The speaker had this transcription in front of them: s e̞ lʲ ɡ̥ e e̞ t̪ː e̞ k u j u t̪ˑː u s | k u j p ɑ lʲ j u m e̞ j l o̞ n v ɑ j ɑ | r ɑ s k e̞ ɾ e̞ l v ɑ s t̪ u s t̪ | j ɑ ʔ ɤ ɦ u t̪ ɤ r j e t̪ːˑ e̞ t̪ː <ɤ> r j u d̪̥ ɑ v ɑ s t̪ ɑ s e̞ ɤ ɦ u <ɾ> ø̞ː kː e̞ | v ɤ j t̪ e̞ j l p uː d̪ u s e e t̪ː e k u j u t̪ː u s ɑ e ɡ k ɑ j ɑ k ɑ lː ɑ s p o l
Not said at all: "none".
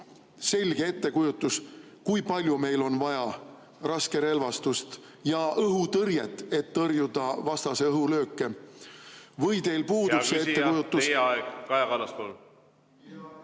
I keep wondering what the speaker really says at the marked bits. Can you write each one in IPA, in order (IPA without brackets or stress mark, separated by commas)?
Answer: ɤ, l